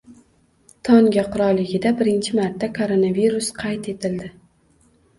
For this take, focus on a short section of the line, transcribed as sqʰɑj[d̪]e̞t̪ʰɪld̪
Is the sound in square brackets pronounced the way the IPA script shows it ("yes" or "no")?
no